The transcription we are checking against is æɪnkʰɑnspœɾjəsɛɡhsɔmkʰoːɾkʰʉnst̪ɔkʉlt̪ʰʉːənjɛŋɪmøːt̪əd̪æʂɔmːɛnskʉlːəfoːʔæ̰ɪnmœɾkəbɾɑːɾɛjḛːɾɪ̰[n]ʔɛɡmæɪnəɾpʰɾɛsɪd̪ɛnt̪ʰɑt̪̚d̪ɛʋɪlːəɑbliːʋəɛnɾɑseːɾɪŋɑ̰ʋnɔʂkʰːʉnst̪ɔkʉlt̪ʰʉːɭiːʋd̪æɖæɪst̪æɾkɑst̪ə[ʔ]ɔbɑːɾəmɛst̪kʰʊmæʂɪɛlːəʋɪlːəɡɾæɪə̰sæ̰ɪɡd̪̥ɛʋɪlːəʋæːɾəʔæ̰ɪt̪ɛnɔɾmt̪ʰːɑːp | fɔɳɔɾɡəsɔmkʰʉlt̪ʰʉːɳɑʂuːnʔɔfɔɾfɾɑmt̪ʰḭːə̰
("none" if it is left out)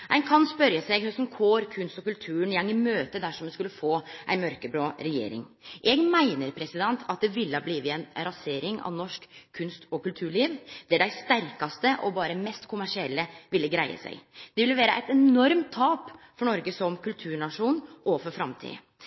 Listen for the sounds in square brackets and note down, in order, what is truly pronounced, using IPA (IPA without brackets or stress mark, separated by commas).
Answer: ŋ, ʔ